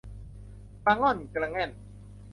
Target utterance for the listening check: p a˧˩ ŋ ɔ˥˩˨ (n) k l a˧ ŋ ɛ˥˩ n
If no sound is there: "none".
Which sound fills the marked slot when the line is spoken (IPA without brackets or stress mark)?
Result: n